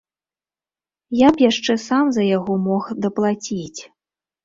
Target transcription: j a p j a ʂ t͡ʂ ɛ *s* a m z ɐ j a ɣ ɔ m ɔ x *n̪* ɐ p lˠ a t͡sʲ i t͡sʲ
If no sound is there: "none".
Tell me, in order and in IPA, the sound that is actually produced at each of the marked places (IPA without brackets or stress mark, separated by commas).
s, d̪